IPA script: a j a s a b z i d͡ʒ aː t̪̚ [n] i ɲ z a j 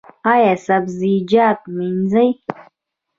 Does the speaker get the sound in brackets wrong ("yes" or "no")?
yes